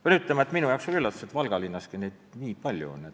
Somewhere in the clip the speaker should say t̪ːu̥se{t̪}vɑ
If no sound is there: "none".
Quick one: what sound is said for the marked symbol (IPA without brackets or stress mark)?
t̪